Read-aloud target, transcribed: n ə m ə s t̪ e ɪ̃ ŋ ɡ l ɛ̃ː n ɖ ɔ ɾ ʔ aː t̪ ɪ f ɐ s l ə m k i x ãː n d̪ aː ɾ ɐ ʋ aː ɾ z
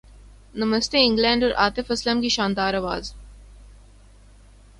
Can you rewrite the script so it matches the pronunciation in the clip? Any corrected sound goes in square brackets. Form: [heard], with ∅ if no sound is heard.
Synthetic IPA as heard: n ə m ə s t̪ e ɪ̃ ŋ ɡ l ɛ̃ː [ɳ] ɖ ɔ ɾ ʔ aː t̪ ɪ f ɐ s l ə m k i [ʃ] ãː n d̪ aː ɾ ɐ ʋ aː [∅] z

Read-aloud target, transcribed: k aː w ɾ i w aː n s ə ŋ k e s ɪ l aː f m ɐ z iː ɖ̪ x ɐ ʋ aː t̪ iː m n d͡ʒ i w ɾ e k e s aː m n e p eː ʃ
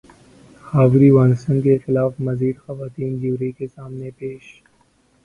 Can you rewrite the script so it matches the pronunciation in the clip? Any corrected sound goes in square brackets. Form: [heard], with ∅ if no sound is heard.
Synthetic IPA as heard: [x] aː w ɾ i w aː n s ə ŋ k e [x] ɪ l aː f m ɐ z iː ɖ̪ x ɐ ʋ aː t̪ iː [∅] n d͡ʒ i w ɾ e k e s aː m n e p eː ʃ

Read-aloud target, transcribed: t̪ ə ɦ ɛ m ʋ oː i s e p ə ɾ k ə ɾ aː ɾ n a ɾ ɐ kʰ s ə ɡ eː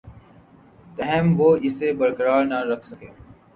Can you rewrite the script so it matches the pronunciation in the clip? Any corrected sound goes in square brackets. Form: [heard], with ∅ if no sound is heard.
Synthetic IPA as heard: t̪ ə ɦ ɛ m ʋ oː [ɪ] s e [b] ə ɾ k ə ɾ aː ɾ n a ɾ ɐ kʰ s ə [k] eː

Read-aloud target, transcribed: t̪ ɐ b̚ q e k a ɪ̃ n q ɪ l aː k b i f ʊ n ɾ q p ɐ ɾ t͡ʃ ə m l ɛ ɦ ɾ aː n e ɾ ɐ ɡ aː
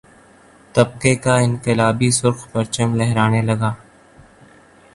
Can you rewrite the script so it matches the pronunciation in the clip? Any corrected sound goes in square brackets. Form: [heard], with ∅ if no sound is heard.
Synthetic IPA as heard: t̪ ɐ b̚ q e k a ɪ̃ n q ɪ l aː [∅] b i [s] ʊ [∅] ɾ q p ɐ ɾ t͡ʃ ə m l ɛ ɦ ɾ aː n e [l] ɐ ɡ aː

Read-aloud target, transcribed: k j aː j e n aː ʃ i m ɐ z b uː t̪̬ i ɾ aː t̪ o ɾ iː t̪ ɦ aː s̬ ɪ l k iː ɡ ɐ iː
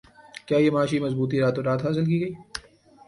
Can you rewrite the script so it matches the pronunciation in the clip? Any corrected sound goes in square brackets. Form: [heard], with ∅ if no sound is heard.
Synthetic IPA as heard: k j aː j e [m] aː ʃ i m ɐ z b uː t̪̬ i ɾ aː t̪ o ɾ [aː] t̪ ɦ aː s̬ ɪ l k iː ɡ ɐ iː

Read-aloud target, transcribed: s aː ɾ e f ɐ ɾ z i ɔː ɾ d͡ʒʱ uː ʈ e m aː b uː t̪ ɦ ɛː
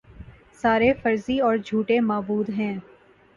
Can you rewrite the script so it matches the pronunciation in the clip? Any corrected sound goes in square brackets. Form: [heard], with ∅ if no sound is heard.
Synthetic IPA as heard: s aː ɾ e f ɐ ɾ z i ɔː ɾ d͡ʒʱ uː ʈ e m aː b uː [d̪] ɦ [ɛ̃ː]

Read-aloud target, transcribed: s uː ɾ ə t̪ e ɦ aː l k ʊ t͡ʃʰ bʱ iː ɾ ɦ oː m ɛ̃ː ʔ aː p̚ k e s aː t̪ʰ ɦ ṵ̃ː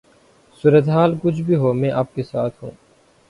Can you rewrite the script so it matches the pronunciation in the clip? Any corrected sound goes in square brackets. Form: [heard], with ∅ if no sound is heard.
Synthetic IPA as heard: s uː ɾ ə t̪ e ɦ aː l k ʊ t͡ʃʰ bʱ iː [∅] ɦ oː m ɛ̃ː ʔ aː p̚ k e s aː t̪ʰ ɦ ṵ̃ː

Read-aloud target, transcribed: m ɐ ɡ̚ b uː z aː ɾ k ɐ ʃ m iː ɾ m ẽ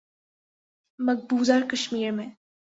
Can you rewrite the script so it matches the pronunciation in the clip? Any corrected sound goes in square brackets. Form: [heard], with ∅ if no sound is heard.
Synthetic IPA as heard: m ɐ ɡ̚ b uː z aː ɾ k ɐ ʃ m iː ɾ m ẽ

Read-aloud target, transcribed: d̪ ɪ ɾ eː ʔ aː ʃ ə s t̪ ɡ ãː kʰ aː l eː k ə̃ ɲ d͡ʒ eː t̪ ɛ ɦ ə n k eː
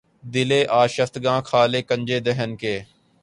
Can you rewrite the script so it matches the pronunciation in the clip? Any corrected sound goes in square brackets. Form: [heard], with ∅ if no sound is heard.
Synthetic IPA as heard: d̪ ɪ [l] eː ʔ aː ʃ ə [f] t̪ ɡ ãː kʰ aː l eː k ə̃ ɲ d͡ʒ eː [d̪] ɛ ɦ ə n k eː

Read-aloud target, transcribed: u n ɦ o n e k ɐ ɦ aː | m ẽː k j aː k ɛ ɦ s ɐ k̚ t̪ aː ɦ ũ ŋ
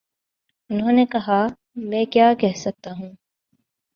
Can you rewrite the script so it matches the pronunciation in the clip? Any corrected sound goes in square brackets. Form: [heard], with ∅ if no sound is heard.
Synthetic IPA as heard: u n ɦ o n e k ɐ ɦ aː | m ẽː k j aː k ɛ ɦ s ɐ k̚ t̪ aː ɦ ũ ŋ

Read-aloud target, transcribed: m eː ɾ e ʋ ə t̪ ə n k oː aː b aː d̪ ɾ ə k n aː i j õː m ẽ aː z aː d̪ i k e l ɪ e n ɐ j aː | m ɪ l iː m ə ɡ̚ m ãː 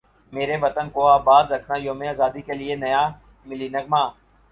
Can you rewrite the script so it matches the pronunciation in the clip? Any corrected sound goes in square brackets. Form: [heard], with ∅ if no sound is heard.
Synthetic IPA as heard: m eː ɾ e ʋ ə t̪ ə n k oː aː b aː d̪ ɾ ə [kʰ] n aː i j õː m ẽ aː z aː d̪ i k e l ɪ e n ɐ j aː | m ɪ l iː [n] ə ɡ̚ m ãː

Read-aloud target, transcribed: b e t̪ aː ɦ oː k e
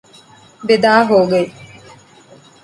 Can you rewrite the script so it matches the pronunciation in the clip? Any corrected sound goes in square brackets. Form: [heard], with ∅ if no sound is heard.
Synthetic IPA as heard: b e [d̪] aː ɦ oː [ɡ] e

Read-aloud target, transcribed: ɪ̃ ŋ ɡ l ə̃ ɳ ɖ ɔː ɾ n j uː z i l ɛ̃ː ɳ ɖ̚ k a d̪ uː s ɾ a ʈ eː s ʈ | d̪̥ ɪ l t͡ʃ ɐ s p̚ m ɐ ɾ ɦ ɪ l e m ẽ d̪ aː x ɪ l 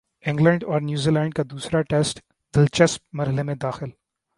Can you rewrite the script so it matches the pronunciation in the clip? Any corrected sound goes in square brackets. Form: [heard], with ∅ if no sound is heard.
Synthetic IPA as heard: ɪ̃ ŋ ɡ l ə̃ ɳ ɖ ɔː ɾ n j uː z i l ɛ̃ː ɳ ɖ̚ k a d̪ uː s ɾ a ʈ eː s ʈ | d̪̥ ɪ l t͡ʃ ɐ s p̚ m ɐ ɾ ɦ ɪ l e m ẽ d̪ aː x ɪ l

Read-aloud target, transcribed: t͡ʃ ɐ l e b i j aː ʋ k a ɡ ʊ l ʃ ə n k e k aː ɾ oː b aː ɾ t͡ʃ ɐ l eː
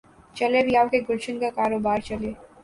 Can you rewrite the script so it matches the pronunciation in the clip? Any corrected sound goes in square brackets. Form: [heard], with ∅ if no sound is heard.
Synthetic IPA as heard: t͡ʃ ɐ l e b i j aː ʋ k [e] ɡ ʊ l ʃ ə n k [a] k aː ɾ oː b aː ɾ t͡ʃ ɐ l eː

